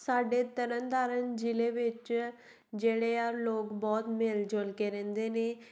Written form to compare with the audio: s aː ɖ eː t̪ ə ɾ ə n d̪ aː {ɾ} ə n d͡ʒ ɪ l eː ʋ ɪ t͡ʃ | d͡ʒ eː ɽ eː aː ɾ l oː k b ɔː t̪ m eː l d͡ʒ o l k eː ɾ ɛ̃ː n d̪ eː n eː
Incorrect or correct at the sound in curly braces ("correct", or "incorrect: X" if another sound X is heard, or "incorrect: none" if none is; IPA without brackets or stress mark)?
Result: correct